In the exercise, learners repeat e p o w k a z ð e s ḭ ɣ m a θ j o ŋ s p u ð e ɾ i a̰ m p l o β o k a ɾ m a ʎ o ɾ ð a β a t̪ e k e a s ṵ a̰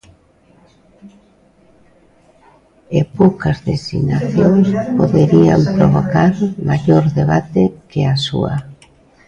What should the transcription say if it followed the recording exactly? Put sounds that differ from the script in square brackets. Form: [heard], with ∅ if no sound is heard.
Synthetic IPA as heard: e p o w k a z ð e s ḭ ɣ [n] a θ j o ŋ s p [o] ð e ɾ i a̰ m p [ɾ] o β o k a ɾ m a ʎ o ɾ ð [e] β a t̪ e k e a s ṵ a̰

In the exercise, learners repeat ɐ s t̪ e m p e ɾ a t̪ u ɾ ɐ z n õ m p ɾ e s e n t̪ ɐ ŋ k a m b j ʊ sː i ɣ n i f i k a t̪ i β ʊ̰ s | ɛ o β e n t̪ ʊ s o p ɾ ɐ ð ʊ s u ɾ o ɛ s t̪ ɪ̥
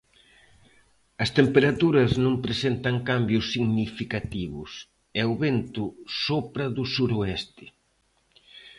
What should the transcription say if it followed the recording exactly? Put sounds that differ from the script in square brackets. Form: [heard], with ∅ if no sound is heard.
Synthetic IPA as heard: ɐ s t̪ e m p e ɾ a t̪ u ɾ ɐ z n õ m p ɾ e s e n t̪ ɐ ŋ k a m b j ʊ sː i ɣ n i f i k a t̪ i β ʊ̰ s | ɛ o β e n t̪ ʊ s o p ɾ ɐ ð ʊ s u ɾ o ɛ s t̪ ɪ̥

